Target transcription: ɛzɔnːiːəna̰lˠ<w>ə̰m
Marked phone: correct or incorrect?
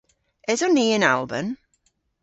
incorrect